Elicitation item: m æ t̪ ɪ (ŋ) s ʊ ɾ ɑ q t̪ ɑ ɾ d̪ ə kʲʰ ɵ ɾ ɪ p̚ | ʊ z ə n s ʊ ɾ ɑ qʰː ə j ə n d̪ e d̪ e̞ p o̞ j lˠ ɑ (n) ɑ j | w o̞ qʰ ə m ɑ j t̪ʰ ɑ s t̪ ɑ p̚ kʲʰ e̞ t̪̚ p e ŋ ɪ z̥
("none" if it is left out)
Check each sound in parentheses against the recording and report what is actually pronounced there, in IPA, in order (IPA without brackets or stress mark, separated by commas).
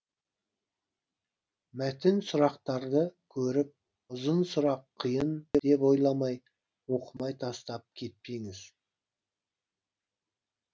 n, m